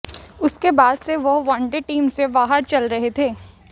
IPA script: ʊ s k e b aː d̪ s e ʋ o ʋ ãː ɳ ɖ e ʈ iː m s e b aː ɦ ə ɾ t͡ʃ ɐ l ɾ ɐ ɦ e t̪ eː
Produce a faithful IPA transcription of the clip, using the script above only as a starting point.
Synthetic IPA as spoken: ʊ s k e b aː d̪ s e ʋ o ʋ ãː ɳ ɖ e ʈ iː m s e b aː ɦ ə ɾ t͡ʃ ɐ l ɾ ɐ ɦ e t̪ʰ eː